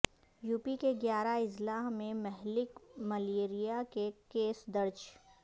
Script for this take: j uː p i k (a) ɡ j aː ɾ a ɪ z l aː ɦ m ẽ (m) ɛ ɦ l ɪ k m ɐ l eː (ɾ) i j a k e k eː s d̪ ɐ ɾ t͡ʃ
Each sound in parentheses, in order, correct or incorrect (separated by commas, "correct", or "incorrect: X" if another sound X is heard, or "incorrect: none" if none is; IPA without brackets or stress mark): incorrect: e, correct, correct